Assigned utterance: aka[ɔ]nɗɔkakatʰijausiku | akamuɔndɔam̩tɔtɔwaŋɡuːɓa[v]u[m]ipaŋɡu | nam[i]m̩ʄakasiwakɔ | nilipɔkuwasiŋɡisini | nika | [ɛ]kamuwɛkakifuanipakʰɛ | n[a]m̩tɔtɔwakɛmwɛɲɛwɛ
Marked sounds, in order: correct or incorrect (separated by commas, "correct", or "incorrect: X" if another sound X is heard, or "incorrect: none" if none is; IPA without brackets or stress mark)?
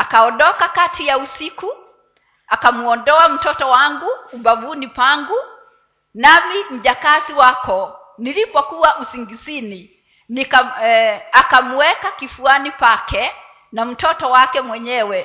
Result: correct, correct, incorrect: n, correct, incorrect: a, correct